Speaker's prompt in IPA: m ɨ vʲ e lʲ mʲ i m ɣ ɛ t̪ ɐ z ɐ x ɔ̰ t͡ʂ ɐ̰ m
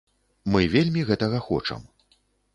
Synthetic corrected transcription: m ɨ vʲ e lʲ mʲ i ɣ ɛ t̪ ɐ ɣ ɐ x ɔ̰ t͡ʂ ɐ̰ m